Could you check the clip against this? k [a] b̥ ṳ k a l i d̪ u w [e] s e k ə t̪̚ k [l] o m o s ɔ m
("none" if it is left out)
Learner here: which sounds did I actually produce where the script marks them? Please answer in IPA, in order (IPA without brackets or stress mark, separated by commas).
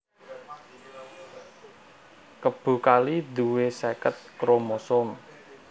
ə, e, ɾ